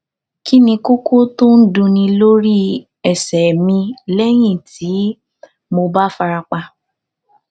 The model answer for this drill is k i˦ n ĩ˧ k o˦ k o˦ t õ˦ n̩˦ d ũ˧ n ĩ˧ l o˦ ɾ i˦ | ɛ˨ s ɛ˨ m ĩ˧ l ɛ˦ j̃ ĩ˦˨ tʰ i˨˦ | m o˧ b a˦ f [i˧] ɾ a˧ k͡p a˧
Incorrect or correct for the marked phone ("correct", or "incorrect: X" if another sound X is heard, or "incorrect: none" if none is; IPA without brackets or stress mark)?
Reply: incorrect: a˧